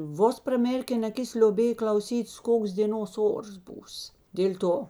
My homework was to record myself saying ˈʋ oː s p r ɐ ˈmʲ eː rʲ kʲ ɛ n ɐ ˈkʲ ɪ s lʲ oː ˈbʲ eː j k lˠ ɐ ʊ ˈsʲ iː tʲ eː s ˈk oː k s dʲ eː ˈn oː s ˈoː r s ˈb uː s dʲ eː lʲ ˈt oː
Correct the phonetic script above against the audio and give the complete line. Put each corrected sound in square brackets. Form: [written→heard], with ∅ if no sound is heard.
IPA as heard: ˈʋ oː s p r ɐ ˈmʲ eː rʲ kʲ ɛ n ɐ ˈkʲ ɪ s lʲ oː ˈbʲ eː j k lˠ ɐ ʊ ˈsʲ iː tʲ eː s ˈk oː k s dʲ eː ˈn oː s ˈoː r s ˈb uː s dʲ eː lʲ ˈt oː

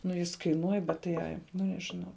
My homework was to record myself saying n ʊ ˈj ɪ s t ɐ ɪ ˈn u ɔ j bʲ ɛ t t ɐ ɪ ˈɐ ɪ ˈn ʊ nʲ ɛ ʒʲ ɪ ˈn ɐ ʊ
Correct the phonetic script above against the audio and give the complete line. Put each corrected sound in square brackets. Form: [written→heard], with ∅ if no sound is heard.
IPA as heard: n ʊ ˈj ɪ s [t→k] ɐ ɪ ˈn u ɔ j bʲ ɛ t t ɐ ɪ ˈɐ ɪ ˈn ʊ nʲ ɛ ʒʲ ɪ ˈn ɐ ʊ

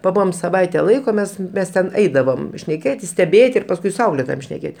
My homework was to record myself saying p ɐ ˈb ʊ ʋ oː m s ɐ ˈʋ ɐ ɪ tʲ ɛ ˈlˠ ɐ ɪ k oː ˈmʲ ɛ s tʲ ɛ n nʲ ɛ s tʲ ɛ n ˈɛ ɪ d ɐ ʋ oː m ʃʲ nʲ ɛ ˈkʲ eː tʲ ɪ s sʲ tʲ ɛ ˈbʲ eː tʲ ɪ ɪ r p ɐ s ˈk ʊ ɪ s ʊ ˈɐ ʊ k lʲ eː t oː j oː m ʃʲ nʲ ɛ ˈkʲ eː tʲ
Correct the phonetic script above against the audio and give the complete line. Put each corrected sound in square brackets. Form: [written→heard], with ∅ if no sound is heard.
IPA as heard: p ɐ ˈb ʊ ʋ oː m s ɐ ˈʋ ɐ ɪ tʲ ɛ ˈlˠ ɐ ɪ k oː ˈmʲ ɛ s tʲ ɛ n [nʲ→mʲ] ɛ s tʲ ɛ n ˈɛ ɪ d ɐ ʋ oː m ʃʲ nʲ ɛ ˈkʲ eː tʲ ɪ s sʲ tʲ ɛ ˈbʲ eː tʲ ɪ ɪ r p ɐ s ˈk ʊ ɪ s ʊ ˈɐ ʊ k lʲ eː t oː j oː m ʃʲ nʲ ɛ ˈkʲ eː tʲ

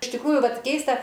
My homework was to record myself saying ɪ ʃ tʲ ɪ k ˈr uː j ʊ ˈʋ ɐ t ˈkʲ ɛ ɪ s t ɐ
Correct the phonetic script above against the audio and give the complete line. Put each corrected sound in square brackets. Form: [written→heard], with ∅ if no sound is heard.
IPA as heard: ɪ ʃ tʲ ɪ k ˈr uː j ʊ ˈʋ ɐ t ˈkʲ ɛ ɪ s t ɐ

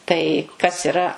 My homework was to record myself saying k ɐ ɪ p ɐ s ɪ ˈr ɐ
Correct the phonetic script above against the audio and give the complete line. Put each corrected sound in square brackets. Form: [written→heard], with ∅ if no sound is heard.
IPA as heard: [k→t] ɐ ɪ [p→k] ɐ s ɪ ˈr ɐ

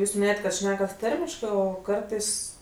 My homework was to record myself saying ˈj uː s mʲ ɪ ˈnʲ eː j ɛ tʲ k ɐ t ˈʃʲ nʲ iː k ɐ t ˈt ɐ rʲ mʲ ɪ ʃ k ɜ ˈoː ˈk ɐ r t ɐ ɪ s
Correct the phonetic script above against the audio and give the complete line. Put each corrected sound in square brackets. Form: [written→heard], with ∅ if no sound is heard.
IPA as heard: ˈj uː s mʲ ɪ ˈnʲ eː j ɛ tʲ k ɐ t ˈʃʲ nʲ [iː→æː] k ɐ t ˈt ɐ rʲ mʲ ɪ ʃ k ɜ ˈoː ˈk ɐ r t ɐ ɪ s

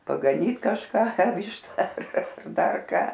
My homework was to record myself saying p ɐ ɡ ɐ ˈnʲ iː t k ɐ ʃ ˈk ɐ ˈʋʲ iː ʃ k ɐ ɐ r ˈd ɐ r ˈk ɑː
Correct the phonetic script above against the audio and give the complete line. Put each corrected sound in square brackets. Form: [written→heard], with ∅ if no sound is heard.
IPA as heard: p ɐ ɡ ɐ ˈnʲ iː t k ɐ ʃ ˈk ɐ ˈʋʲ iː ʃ [k→t] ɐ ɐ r ˈd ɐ r ˈk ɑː

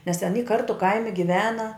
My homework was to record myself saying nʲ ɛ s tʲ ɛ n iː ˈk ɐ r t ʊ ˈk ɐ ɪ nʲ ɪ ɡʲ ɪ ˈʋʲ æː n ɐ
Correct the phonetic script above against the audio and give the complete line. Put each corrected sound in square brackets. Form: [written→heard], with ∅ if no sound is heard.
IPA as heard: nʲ ɛ s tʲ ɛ n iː ˈk ɐ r t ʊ ˈk ɐ ɪ [nʲ→mʲ] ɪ ɡʲ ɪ ˈʋʲ æː n ɐ

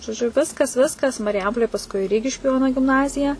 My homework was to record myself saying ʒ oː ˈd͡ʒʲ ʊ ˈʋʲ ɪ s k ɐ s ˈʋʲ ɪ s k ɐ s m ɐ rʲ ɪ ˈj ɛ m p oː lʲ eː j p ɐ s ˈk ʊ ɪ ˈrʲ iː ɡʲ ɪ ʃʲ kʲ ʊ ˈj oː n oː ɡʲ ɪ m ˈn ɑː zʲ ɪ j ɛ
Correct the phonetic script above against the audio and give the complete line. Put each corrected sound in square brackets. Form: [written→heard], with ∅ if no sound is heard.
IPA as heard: ʒ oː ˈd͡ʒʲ ʊ ˈʋʲ ɪ s k ɐ s ˈʋʲ ɪ s k ɐ s m ɐ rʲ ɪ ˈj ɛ m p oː lʲ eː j p ɐ s ˈk ʊ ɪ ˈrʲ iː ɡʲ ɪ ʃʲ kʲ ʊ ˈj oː n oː ɡʲ ɪ m ˈn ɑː zʲ ɪ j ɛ

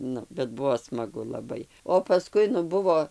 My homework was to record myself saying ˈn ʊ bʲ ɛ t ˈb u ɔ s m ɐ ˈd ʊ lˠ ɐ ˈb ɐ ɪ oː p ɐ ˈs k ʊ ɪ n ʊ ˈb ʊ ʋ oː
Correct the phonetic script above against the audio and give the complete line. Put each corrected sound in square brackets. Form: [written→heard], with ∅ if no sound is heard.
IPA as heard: ˈn ʊ bʲ ɛ t ˈb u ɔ s m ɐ [ˈd→ˈɡ] ʊ lˠ ɐ ˈb ɐ ɪ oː p ɐ ˈs k ʊ ɪ n ʊ ˈb ʊ ʋ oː

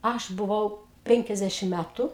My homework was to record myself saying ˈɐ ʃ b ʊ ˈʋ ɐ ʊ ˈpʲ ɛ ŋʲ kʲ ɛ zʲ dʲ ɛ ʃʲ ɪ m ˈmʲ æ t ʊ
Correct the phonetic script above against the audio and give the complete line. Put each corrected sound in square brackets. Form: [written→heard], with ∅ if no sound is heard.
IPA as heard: ˈɐ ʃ b ʊ ˈʋ ɐ ʊ ˈpʲ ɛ ŋʲ kʲ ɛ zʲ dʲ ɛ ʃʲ ɪ m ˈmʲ æ t ʊ

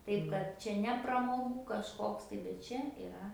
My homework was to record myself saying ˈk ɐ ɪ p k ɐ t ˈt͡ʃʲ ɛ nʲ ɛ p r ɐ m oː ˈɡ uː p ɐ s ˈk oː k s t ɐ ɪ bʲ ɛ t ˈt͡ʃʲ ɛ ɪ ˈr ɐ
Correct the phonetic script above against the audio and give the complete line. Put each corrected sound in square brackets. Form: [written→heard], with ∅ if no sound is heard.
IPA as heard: [ˈk→ˈt] ɐ ɪ p k ɐ t ˈt͡ʃʲ ɛ nʲ ɛ p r ɐ m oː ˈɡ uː [p→k] ɐ [s→ʃ] ˈk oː k s t ɐ ɪ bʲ ɛ t ˈt͡ʃʲ ɛ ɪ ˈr ɐ

